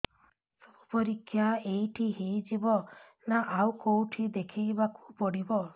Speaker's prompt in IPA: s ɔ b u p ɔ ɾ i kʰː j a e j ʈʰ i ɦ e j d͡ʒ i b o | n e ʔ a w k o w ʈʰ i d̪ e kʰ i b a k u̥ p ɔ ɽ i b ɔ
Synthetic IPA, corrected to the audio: s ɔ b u p ɔ ɾ i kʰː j a e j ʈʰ i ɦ e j d͡ʒ i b ɔ | n a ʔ a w k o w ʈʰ i d̪ e kʰ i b a k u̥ p ɔ ɽ i b ɔ